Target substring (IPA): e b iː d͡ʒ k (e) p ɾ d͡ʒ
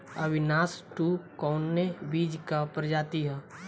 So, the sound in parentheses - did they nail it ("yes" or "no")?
no